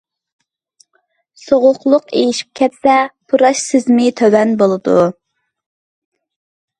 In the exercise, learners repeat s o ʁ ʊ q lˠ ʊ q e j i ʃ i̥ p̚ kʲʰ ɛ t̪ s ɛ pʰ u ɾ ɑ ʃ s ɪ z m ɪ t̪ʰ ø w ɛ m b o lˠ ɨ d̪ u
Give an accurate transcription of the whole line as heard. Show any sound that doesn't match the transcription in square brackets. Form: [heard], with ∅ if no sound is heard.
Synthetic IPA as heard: s o ʁ ʊ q lˠ ʊ q e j i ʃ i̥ p̚ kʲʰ ɛ t̪ s ɛ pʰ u ɾ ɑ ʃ s ɪ z m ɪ t̪ʰ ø w ɛ [n] b o lˠ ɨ d̪ u